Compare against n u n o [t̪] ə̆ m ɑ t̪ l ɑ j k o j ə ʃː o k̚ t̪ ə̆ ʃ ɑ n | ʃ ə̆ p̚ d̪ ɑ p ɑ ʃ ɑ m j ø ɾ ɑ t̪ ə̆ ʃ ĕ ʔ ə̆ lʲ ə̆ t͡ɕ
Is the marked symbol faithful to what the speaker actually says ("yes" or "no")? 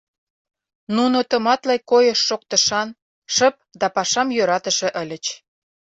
yes